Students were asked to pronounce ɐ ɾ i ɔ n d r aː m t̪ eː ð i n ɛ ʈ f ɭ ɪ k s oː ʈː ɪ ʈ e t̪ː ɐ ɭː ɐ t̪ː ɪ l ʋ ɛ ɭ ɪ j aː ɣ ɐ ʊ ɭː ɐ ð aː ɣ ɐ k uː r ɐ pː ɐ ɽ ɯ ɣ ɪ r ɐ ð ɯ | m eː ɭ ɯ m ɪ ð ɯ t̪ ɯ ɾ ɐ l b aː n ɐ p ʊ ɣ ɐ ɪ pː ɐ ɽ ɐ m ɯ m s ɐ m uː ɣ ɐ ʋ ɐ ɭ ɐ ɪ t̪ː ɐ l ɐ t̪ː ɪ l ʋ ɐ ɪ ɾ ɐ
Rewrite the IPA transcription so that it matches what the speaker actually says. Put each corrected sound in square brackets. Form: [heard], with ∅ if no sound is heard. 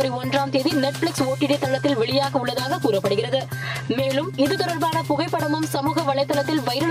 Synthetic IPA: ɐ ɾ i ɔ n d r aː m t̪ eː ð i n ɛ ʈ f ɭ ɪ k s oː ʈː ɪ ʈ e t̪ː ɐ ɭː ɐ t̪ː ɪ l ʋ ɛ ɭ ɪ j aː ɣ ɐ ʊ ɭː ɐ ð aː ɣ ɐ k uː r ɐ pː ɐ ɽ ɯ ɣ ɪ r ɐ ð ɯ | m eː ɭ ɯ m ɪ ð ɯ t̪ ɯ ɾ ɐ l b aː n ɐ p ʊ ɣ ɐ ɪ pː ɐ ɽ ɐ m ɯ m s ɐ m uː ɣ ɐ ʋ ɐ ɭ ɐ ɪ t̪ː ɐ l ɐ t̪ː ɪ l ʋ ɐ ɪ ɾ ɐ